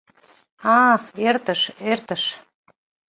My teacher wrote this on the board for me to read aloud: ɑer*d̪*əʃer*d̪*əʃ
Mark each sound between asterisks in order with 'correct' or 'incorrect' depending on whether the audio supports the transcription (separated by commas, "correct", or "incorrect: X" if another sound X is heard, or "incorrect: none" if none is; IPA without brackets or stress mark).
incorrect: t̪, incorrect: t̪